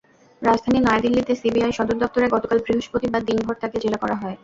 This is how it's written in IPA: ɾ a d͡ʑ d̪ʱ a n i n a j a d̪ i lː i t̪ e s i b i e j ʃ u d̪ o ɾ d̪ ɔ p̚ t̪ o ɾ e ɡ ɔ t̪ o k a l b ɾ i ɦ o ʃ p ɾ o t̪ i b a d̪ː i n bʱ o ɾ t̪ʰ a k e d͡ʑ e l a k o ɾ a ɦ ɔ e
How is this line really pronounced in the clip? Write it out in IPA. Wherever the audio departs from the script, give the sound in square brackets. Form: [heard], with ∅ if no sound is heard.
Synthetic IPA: ɾ a d͡ʑ d̪ʱ a n i n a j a d̪ i lː i t̪ e s i b i [a] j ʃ [ɔ] d̪ o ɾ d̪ ɔ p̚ t̪ o ɾ e ɡ ɔ t̪ o k a l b ɾ i ɦ o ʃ p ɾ o t̪ i b a d̪ː i n bʱ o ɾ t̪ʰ a k e d͡ʑ e l a k [ɔ] ɾ a ɦ ɔ e